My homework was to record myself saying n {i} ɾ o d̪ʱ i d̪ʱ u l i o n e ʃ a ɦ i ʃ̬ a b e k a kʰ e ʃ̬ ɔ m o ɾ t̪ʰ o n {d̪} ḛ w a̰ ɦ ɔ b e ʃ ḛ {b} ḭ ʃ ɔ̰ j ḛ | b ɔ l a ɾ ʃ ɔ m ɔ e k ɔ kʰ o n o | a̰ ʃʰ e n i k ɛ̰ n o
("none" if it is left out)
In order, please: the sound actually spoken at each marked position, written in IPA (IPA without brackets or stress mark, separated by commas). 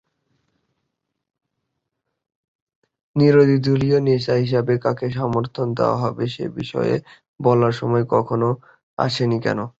i, d̪, b